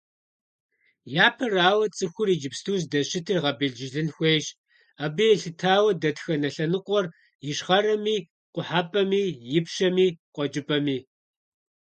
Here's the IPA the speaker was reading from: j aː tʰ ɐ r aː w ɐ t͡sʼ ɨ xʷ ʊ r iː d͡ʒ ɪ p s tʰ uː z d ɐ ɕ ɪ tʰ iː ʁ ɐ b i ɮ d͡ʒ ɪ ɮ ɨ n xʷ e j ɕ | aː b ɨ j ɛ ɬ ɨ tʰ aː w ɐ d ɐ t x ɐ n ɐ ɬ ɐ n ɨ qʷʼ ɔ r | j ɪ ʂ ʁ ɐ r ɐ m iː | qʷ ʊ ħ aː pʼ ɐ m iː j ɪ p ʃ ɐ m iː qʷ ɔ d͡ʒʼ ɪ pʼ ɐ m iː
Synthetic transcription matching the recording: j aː pʰ ɐ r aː w ɐ t͡sʼ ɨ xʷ ʊ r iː d͡ʒ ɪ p s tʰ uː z d ɐ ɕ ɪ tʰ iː ʁ ɐ b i ɮ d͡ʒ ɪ ɮ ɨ n xʷ e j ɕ | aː b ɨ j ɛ ɬ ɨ tʰ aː w ɐ d ɐ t x ɐ n ɐ ɬ ɐ n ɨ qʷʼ ɔ r | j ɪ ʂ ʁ ɐ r ɐ m iː | qʷ ʊ ħ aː pʼ ɐ m iː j ɪ p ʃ ɐ m iː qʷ ɔ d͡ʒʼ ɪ pʼ ɐ m iː